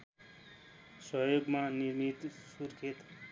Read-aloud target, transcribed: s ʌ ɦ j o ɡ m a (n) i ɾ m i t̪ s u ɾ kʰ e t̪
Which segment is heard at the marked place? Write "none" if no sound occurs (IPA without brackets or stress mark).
n